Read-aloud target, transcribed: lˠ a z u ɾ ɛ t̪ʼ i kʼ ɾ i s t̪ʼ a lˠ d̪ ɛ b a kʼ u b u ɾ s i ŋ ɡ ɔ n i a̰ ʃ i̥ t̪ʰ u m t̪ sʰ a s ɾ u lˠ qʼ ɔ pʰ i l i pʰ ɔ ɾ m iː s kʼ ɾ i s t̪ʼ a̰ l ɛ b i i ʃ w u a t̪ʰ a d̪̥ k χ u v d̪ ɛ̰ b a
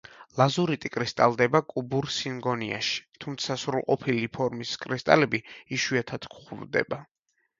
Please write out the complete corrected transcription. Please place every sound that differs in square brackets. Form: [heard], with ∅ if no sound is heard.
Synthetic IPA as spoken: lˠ a z u ɾ [i] t̪ʼ i kʼ ɾ i s t̪ʼ a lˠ d̪ ɛ b a kʼ u b u ɾ s i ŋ ɡ ɔ n i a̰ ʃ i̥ t̪ʰ u m t̪ sʰ a s ɾ u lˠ qʼ ɔ pʰ i l i pʰ ɔ ɾ m [i] s kʼ ɾ i s t̪ʼ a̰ l ɛ b i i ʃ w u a t̪ʰ a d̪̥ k χ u v d̪ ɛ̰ b a